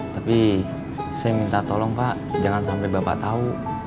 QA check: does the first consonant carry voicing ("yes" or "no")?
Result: no